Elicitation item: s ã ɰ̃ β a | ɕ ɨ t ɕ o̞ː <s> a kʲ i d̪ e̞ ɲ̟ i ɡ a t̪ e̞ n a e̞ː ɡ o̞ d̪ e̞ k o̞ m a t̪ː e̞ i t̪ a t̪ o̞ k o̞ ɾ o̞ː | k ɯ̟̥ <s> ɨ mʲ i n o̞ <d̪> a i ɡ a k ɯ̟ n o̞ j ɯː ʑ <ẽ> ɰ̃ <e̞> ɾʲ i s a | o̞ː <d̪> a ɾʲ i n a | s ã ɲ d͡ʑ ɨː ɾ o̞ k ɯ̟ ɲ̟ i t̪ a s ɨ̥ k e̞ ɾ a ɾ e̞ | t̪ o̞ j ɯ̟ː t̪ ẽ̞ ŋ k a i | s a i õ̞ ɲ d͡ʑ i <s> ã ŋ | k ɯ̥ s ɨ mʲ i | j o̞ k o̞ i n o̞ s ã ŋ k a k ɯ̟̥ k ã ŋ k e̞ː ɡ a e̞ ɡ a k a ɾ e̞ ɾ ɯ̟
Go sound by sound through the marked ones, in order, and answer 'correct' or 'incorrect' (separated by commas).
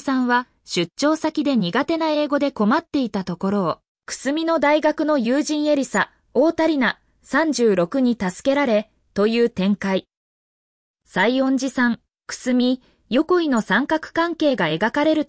correct, correct, correct, incorrect, correct, incorrect, correct